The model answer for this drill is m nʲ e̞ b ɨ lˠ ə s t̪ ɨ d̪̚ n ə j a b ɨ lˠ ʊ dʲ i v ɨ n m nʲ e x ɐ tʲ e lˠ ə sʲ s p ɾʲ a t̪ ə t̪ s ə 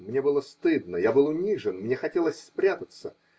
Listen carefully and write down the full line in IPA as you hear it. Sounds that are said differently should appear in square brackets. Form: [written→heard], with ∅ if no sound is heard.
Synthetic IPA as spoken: m nʲ e̞ b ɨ lˠ ə s t̪ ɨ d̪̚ n ə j a b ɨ lˠ ʊ [dʲ→nʲ] i [v→ʐ] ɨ n m nʲ e x ɐ tʲ e lˠ ə sʲ s p ɾʲ a t̪ ə t̪ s ə